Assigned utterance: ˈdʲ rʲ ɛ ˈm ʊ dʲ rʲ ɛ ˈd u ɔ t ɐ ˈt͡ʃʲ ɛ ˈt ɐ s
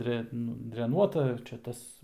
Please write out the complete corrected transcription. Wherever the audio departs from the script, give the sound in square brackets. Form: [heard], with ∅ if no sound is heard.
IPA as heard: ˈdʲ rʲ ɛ [ˈn] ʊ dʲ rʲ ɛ [ˈn] u ɔ t ɐ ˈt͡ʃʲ ɛ ˈt ɐ s